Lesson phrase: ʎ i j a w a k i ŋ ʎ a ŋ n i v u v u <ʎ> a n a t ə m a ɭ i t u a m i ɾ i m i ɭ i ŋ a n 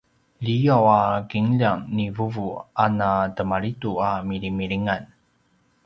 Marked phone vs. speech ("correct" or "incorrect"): incorrect